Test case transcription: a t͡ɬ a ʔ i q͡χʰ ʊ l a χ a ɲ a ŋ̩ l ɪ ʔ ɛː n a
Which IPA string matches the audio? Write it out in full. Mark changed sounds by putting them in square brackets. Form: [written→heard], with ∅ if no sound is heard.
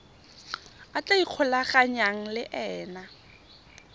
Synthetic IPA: a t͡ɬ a [ʔ→∅] i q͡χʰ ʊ l a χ a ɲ a ŋ̩ l ɪ ʔ ɛː n a